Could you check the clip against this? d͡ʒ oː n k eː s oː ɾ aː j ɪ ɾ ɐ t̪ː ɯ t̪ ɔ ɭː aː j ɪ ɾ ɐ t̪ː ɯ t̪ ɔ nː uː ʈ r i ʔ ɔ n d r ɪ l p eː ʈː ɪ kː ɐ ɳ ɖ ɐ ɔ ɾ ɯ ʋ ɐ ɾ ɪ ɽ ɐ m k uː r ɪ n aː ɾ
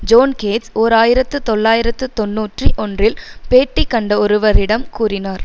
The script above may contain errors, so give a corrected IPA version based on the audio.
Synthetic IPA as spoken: d͡ʒ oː n k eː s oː ɾ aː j ɪ ɾ ɐ t̪ː ɯ t̪ ɔ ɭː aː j ɪ ɾ ɐ t̪ː ɯ t̪ ɔ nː uː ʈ r i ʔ ɔ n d r ɪ l p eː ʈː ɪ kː ɐ ɳ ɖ ɐ ɔ ɾ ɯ ʋ ɐ ɾ ɪ ɽ ɐ m k uː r ɪ n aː ɾ